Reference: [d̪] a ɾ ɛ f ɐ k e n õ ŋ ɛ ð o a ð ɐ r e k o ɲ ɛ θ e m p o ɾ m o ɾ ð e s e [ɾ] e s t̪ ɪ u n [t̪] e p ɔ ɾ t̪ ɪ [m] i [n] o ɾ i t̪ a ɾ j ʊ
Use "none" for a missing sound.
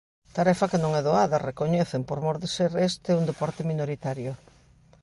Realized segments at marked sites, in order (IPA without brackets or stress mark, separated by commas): t̪, ɾ, d̪, m, n